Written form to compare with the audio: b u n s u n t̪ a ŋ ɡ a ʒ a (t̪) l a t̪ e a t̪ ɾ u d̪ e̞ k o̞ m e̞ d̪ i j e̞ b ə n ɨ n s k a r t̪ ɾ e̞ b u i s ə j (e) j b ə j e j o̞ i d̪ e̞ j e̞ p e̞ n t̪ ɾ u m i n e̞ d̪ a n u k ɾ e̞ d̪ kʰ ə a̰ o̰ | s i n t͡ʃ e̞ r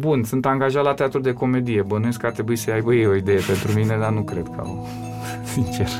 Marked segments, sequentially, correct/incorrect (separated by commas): correct, incorrect